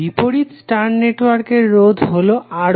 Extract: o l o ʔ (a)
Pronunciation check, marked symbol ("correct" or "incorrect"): correct